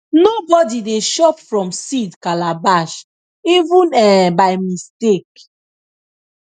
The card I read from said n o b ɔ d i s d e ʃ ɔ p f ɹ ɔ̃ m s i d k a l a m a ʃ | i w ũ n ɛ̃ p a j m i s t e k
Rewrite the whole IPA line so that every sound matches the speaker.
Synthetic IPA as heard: n o b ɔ d i d e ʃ ɔ p f ɹ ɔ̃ m s i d k a l a b a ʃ | i v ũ n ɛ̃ b a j m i s t e k